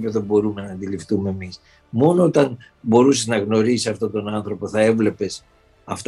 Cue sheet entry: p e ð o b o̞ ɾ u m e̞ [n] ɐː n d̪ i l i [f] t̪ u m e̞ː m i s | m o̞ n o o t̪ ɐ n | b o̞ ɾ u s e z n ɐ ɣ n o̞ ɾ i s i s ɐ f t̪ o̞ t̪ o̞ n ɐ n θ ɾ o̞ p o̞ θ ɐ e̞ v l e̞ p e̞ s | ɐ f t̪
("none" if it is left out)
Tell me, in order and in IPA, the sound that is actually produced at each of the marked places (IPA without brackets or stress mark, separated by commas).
n, f